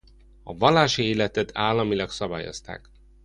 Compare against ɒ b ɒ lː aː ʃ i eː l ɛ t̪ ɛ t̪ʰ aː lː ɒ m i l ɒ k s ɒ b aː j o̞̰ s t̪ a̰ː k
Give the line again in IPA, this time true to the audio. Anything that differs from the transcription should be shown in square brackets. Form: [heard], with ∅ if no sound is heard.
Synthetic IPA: ɒ [v] ɒ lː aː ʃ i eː l ɛ t̪ ɛ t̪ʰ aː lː ɒ m i l ɒ k s ɒ b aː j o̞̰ s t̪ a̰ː k

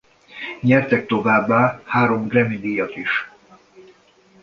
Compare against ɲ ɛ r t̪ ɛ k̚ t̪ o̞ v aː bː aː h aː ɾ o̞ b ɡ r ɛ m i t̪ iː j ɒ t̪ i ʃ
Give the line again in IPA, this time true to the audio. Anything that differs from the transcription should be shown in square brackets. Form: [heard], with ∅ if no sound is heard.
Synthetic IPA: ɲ ɛ r t̪ ɛ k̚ t̪ o̞ v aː bː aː h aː ɾ o̞ [m] ɡ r ɛ m i [d̪] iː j ɒ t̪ i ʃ

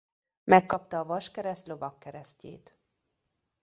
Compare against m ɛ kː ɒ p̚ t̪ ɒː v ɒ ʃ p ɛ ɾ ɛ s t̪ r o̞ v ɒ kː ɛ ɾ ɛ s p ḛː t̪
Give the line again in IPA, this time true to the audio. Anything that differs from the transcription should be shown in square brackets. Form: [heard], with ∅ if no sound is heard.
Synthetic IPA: m ɛ kː ɒ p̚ t̪ ɒː v ɒ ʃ [k] ɛ ɾ ɛ s t̪ [l] o̞ v ɒ kː ɛ ɾ ɛ s [c] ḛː t̪

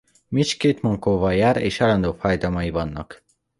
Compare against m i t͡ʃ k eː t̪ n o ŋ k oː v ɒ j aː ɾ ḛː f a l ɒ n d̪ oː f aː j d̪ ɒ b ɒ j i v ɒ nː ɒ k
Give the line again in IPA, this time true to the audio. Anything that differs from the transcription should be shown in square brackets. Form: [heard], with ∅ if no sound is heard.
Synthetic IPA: m i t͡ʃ k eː t̪ [m] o ŋ k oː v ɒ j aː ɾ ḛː [ʃ] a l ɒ n d̪ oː f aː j d̪ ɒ [m] ɒ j i v ɒ nː ɒ k

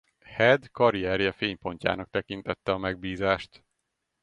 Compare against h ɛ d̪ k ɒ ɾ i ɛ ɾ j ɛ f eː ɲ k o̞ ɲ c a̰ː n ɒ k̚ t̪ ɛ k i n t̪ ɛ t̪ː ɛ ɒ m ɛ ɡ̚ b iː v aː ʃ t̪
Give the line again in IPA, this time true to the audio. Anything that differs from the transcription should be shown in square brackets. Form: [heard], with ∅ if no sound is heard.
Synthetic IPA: h ɛ d̪ k ɒ ɾ i ɛ ɾ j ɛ f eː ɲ [p] o̞ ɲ c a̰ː n ɒ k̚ t̪ ɛ k i n t̪ ɛ t̪ː ɛ ɒ m ɛ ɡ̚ b iː [z] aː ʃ t̪

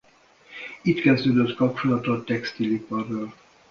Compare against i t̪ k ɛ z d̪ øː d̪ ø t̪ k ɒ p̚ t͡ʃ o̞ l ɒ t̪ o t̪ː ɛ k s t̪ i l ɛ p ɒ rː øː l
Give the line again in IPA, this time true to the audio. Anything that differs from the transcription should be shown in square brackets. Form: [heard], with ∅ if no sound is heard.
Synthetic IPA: i t̪ k ɛ z d̪ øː d̪ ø t̪ k ɒ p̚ t͡ʃ o̞ l ɒ t̪ o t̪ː ɛ k s t̪ i l [i] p ɒ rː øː l

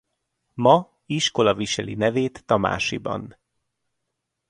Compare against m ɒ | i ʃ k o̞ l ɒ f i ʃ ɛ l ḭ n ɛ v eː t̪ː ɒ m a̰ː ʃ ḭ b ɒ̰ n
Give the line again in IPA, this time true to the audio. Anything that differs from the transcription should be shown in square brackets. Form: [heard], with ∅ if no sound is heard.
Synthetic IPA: m ɒ | i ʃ k o̞ l ɒ [v] i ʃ ɛ l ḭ n ɛ v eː t̪ː ɒ m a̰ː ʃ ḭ b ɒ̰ n

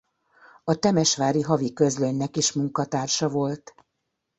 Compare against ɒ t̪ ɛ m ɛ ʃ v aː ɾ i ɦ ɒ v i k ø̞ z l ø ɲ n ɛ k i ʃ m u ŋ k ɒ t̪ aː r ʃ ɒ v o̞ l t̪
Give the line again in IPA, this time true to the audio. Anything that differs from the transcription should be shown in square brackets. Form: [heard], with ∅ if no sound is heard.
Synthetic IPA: ɒ t̪ ɛ m ɛ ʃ [ʋ] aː ɾ i ɦ ɒ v i k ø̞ z l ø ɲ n ɛ k i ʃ m u ŋ k ɒ t̪ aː r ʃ ɒ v o̞ l t̪

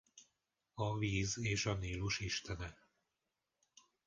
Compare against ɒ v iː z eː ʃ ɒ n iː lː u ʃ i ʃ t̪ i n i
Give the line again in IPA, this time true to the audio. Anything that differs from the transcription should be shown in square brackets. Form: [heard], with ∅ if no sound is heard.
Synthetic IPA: ɒ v iː z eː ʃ ɒ n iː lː u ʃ i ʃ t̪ [ɛ] n [ɛ]

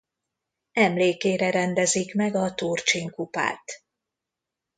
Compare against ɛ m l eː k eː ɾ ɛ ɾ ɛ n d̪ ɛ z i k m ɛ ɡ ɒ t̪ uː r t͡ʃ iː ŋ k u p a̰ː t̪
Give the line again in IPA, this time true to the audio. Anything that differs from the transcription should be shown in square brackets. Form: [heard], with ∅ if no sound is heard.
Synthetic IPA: ɛ m l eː k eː ɾ ɛ ɾ ɛ n d̪ ɛ z i k m ɛ ɡ ɒ t̪ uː r t͡ʃ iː ŋ k u p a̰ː t̪

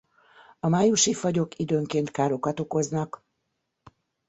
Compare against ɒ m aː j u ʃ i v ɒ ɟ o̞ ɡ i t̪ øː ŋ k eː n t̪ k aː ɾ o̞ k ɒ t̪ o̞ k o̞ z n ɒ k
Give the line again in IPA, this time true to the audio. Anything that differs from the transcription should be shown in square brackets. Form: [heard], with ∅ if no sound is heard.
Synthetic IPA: ɒ m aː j u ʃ i [f] ɒ ɟ o̞ [k] i [d̪] øː ŋ k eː n t̪ k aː ɾ o̞ k ɒ t̪ o̞ k o̞ z n ɒ k

